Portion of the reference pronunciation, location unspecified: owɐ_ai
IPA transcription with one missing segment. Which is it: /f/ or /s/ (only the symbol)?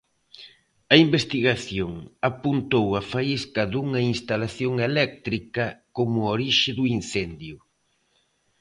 f